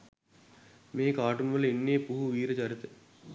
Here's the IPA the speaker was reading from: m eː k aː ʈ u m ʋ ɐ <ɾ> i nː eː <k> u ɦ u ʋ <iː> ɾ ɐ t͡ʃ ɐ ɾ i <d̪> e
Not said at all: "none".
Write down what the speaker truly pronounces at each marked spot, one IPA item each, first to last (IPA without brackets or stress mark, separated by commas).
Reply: l, p, iː, t̪